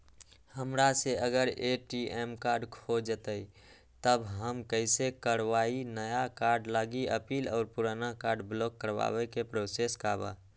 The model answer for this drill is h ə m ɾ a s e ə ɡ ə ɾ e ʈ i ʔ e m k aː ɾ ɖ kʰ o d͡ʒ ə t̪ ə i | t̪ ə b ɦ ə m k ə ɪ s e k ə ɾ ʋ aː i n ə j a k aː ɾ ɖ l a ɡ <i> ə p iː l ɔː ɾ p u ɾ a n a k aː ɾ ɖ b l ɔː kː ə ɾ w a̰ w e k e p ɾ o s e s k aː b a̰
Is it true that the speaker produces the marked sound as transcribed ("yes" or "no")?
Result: yes